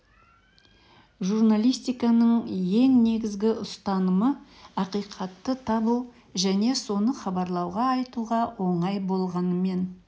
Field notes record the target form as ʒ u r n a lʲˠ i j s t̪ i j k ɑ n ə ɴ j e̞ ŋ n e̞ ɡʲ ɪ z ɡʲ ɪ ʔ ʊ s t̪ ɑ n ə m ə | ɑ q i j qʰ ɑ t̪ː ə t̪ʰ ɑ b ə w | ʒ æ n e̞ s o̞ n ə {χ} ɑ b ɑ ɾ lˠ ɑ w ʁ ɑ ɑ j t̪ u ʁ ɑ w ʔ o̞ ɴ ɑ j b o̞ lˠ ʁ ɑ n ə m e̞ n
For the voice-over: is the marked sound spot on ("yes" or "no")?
yes